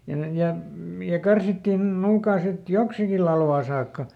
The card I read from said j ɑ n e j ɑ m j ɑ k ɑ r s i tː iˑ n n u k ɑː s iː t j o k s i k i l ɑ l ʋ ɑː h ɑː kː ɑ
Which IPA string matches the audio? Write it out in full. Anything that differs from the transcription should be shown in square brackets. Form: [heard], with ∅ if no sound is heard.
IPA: j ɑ n e j ɑ m j ɑ k ɑ r s i tː iˑ n n [uː] k ɑː s [i] t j o k s i k i l ɑ l ʋ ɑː [s] ɑː kː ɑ

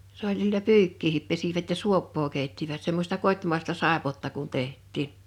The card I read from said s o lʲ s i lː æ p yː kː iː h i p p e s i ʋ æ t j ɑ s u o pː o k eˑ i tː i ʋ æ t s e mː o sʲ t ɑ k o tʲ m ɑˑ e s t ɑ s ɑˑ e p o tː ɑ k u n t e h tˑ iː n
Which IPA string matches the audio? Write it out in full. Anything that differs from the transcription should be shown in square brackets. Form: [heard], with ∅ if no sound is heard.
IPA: s o lʲ s i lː æ p yː kː iː h i p p e s i ʋ æ t j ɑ s u o pː [oː] k eˑ i tː i ʋ æ t s e mː o sʲ t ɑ k o tʲ m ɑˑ e s t ɑ s ɑˑ e p o tː ɑ k u n t e h tˑ iː n

